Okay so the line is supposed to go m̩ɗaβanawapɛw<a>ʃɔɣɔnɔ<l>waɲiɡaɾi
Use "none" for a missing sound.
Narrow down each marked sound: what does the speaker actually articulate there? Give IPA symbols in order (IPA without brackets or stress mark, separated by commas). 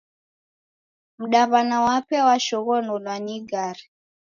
a, l